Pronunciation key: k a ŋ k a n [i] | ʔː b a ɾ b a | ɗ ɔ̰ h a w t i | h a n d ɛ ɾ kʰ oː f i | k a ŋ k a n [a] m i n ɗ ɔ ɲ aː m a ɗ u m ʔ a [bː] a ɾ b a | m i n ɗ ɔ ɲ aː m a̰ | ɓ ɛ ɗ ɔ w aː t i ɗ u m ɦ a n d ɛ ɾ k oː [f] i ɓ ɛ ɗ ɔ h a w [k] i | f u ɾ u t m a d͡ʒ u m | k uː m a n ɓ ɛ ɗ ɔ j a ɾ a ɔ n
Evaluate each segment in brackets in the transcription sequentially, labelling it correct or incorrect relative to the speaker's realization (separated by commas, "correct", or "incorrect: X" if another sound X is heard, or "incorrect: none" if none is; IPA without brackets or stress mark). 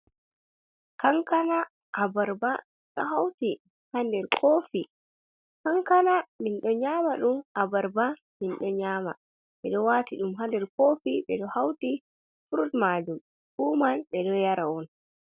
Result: incorrect: a, correct, incorrect: b, correct, incorrect: t